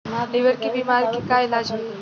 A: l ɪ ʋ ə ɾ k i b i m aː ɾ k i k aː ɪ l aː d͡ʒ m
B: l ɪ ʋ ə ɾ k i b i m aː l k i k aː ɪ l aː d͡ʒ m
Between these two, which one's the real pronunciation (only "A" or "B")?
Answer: A